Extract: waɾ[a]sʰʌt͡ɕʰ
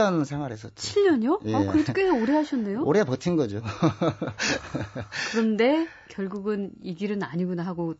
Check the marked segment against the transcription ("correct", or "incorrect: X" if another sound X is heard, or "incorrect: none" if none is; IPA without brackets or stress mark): incorrect: e